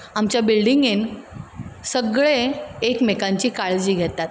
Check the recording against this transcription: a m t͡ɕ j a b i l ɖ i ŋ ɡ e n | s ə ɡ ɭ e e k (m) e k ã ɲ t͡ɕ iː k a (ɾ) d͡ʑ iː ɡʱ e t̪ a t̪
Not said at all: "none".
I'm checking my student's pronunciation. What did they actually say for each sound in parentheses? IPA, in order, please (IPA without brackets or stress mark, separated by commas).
m, ɭ